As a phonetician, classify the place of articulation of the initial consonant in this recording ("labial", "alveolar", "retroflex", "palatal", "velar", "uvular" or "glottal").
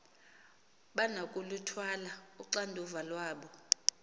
labial